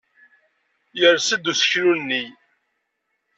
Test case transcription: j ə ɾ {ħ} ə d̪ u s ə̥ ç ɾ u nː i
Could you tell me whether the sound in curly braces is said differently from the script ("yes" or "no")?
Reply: yes